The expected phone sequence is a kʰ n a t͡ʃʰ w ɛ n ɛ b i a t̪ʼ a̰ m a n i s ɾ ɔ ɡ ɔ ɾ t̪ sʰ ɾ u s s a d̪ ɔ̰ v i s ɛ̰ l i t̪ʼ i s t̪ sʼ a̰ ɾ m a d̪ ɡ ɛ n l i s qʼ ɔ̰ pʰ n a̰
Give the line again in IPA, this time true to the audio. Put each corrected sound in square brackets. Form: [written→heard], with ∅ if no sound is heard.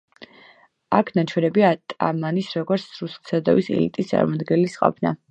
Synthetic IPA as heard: a kʰ n a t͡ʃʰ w ɛ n ɛ b i a t̪ʼ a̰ m a n i s ɾ ɔ ɡ ɔ ɾ t̪ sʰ ɾ u s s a d̪ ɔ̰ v i s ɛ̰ l i t̪ʼ i s t̪ sʼ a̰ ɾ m a d̪ ɡ ɛ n l i s qʼ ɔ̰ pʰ n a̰

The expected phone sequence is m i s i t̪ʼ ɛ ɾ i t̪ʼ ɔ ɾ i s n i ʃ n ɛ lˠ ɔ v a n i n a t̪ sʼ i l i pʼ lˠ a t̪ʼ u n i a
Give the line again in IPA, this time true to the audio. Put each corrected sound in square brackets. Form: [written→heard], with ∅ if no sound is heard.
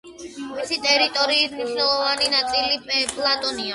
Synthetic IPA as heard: m i s i t̪ʼ ɛ ɾ i t̪ʼ ɔ ɾ [i→iː] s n i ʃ n ɛ lˠ ɔ v a n i n a t̪ sʼ i l i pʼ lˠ a t̪ʼ [u→ɔ] n i a

